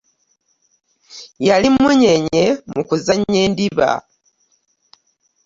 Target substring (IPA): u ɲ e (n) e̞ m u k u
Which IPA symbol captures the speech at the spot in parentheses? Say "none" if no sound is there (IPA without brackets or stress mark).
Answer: ɲ